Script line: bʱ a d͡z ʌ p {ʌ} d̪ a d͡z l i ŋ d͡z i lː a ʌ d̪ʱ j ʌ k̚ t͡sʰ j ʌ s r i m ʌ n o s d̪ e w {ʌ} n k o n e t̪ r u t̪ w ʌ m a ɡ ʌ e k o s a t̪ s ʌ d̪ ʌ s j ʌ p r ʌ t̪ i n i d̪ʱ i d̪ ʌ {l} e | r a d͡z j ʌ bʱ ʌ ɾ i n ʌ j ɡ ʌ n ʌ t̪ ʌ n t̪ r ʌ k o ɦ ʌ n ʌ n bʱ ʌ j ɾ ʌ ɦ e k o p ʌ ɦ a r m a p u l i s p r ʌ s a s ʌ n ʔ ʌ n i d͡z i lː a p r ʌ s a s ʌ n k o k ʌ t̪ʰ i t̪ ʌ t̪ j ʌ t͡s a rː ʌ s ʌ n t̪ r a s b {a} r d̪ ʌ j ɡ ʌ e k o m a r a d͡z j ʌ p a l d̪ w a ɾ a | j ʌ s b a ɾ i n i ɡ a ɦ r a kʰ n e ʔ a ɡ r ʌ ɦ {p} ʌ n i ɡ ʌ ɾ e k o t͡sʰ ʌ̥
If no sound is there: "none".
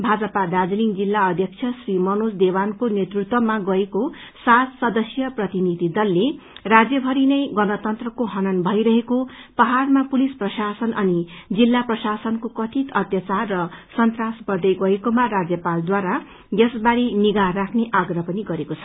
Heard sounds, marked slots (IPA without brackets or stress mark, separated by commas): a, a, lː, ʌ, p